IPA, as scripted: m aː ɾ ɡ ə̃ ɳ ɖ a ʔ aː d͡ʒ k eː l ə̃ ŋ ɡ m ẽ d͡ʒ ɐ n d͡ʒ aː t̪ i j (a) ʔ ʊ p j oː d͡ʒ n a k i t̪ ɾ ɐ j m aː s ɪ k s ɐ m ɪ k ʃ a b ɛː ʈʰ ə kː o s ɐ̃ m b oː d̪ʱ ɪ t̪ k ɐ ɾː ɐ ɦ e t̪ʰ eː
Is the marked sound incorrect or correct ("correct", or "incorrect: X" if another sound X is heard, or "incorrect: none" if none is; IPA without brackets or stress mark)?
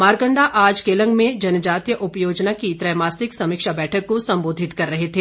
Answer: incorrect: ə